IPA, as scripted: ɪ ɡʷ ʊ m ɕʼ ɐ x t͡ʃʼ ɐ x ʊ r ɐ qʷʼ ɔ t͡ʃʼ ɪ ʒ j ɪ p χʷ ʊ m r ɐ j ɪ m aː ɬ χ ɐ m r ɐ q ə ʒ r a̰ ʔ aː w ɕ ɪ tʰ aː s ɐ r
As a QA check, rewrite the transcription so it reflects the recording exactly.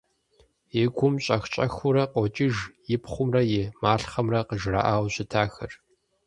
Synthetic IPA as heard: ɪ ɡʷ ʊ m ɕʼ ɐ x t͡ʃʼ ɐ x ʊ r ɐ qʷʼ ɔ t͡ʃʼ ɪ ʒ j ɪ p χʷ ʊ m r ɐ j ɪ m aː ɬ χ ɐ m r ɐ q ə ʒ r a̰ ʔ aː w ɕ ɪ tʰ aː x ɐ r